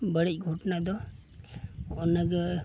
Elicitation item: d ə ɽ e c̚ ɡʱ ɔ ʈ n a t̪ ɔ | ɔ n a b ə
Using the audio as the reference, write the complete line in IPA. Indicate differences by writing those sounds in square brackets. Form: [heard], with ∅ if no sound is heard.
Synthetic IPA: [b] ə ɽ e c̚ ɡʱ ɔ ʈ n a [d̪] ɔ | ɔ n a [ɡ] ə